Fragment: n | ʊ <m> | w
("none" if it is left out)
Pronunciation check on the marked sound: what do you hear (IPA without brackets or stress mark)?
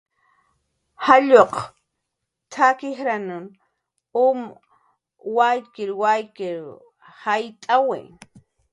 m